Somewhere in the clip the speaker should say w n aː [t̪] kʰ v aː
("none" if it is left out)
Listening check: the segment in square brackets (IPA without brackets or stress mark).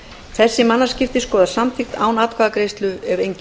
t̪